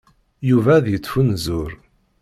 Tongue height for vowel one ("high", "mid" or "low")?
high